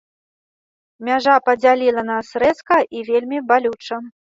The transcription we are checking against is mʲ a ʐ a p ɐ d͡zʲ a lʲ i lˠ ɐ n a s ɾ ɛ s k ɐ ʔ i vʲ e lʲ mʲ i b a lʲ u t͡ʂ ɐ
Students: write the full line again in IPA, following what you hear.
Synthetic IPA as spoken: mʲ a ʐ a p ɐ d͡zʲ a lʲ i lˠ ɐ n a s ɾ ɛ s k ɐ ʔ i vʲ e lʲ mʲ i b a lʲ u t͡ʂ ɐ